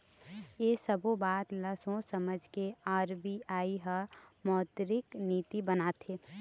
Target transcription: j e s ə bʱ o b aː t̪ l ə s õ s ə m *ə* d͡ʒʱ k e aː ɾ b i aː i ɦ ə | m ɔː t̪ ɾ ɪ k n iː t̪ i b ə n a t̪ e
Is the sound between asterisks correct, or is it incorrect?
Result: correct